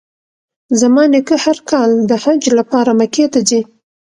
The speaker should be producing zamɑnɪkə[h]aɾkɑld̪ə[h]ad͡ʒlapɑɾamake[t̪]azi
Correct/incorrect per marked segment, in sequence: correct, correct, correct

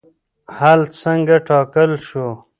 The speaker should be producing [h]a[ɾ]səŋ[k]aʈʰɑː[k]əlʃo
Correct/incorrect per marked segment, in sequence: correct, incorrect: l, incorrect: ɡ, correct

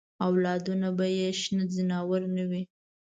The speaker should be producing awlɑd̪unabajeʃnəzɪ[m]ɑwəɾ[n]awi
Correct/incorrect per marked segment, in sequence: incorrect: n, correct

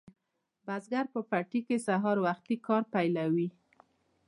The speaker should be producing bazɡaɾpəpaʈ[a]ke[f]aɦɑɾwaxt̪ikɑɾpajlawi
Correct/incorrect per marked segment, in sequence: incorrect: i, incorrect: s

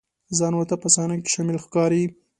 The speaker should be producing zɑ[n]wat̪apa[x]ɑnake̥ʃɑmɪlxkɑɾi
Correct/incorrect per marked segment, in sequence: correct, incorrect: s

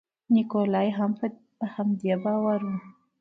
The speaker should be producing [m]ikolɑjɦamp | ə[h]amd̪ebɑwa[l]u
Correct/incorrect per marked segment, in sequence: incorrect: n, correct, incorrect: ɾ

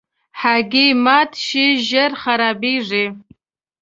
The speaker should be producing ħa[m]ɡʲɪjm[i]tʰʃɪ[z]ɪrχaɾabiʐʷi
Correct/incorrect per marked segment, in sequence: incorrect: none, incorrect: a, incorrect: ʒ

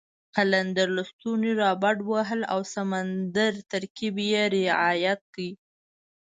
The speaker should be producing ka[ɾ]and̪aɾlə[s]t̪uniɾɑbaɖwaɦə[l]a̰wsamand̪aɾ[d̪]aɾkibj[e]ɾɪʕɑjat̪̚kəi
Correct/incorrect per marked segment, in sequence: incorrect: l, correct, correct, incorrect: t̪, correct

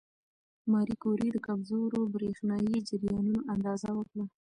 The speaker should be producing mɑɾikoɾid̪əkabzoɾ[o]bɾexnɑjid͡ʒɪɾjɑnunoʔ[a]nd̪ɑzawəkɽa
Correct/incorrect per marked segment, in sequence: correct, correct

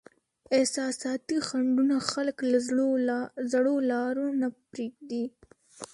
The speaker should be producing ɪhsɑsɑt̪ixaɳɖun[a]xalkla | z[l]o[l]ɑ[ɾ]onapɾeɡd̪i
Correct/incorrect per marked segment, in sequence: correct, incorrect: ɽ, correct, correct

